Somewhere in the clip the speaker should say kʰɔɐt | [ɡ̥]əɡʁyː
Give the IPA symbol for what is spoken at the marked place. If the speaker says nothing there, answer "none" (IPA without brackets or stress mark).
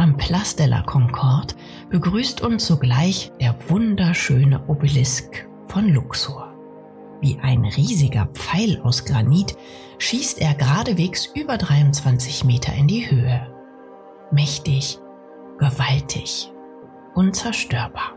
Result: b̥